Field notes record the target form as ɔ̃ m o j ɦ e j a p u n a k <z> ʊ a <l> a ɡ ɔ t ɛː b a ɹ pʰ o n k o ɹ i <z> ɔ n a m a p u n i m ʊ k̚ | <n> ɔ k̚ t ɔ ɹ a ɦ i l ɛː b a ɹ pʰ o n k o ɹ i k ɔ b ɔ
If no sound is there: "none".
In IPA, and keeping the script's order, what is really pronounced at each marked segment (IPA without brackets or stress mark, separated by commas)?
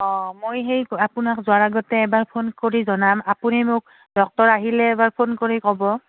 z, ɹ, z, d